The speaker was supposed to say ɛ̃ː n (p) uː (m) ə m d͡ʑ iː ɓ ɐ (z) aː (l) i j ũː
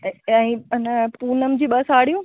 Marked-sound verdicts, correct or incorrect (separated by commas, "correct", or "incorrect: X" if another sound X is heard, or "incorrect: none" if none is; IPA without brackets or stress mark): correct, incorrect: n, incorrect: s, incorrect: ɽ